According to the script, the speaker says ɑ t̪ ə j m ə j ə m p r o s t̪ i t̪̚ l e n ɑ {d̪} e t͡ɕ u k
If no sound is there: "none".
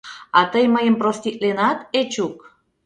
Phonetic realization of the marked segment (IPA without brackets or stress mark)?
t̪